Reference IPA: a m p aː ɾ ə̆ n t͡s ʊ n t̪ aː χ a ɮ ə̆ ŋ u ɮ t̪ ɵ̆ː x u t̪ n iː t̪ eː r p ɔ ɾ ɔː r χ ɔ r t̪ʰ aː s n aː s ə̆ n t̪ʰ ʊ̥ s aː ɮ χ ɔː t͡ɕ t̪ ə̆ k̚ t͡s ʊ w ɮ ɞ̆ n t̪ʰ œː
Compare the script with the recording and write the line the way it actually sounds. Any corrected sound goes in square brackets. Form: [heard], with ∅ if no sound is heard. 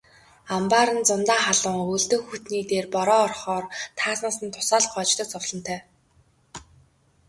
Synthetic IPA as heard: a m p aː ɾ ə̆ n t͡s ʊ n t̪ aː χ a ɮ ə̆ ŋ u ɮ t̪ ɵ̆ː x u t̪ n iː t̪ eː r p ɔ ɾ ɔː r χ [ɔː] r t̪ʰ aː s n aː s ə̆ n t̪ʰ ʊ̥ s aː ɮ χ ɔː t͡ɕ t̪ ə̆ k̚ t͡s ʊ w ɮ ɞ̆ n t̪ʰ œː

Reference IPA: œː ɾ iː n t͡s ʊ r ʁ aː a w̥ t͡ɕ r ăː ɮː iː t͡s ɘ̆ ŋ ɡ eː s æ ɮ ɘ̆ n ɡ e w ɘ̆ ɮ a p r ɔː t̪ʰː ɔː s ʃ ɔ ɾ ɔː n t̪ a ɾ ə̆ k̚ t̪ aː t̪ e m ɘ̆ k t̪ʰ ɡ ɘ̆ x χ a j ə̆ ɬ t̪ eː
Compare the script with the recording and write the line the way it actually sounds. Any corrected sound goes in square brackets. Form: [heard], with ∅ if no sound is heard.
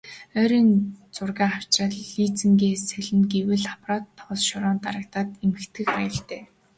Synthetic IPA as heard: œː ɾ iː n t͡s ʊ r [ɣ] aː a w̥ t͡ɕ r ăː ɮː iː t͡s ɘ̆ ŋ ɡ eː s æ ɮ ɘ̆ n ɡ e w ɘ̆ ɮ a p r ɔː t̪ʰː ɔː s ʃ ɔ ɾ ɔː n t̪ a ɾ ə̆ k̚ t̪ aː t̪ e m ɘ̆ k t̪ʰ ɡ ɘ̆ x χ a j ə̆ ɬ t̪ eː

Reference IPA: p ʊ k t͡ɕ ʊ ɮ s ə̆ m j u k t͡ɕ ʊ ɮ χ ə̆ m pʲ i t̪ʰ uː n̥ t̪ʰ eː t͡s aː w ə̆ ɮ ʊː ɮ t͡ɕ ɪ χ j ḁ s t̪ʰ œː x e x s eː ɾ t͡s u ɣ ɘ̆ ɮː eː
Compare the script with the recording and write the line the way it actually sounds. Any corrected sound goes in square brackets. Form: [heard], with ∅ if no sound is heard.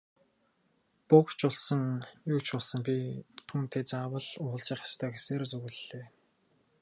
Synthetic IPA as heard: p ʊ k t͡ɕ ʊ ɮ s ə̆ [ŋ] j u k t͡ɕ ʊ ɮ [s] ə̆ [ŋ] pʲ i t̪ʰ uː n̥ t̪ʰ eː t͡s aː w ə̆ ɮ ʊː ɮ t͡ɕ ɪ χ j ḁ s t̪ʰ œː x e [∅] s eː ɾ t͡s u ɣ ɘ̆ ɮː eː

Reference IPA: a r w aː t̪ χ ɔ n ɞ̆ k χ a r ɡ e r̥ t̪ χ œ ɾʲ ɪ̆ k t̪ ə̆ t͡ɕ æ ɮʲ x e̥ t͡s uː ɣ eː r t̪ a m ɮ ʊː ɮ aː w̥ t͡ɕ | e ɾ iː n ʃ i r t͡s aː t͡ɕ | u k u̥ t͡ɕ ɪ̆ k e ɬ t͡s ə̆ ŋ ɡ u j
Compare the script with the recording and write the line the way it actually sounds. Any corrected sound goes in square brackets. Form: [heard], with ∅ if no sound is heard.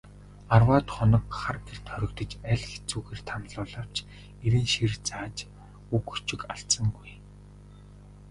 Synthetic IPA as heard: a r w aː t̪ χ ɔ n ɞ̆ k χ a r ɡ e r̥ t̪ χ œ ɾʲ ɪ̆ k t̪ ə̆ t͡ɕ æ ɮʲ x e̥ t͡s uː ɣ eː r [t̪ʰ] a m ɮ ʊː ɮ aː w̥ t͡ɕ | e ɾ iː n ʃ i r t͡s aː t͡ɕ | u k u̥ t͡ɕ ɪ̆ k [a] ɬ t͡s ə̆ ŋ ɡ u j

